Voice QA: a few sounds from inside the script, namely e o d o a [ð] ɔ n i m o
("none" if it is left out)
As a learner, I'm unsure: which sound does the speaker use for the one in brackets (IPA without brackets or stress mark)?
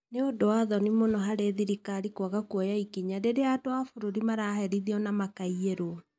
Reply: ð